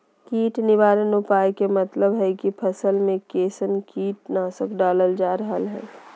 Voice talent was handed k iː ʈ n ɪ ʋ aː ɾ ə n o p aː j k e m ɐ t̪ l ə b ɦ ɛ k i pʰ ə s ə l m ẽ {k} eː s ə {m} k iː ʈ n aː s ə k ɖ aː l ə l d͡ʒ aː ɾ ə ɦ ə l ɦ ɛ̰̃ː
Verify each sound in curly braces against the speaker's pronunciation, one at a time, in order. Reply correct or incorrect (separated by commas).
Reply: correct, incorrect